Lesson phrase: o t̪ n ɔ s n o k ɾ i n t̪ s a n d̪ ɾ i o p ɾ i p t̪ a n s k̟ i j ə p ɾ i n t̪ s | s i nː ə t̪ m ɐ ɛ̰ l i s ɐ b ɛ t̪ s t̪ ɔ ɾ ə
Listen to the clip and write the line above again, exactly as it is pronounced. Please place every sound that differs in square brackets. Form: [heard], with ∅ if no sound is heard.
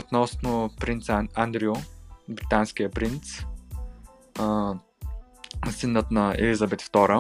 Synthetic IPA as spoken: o t̪ n ɔ s n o [p] ɾ i n t̪ s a n d̪ ɾ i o [b] ɾ i [∅] t̪ a n s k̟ i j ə p ɾ i n t̪ s | s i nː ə t̪ [n] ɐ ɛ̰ l i [z] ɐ b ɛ t̪ [f] t̪ ɔ ɾ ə